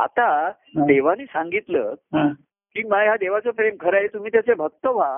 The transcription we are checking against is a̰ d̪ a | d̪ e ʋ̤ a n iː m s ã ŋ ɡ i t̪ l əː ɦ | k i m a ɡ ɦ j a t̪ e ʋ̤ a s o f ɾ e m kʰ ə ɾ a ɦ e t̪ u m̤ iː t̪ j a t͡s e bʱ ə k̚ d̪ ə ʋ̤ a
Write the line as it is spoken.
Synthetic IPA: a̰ t̪ a | d̪ e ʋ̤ a n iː s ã ŋ ɡ i t̪ l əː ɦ | k i m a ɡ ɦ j a d̪ e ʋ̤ a t͡s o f ɾ e m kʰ ə ɾ a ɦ e t̪ u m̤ iː t̪ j a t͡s e bʱ ə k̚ t̪ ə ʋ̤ a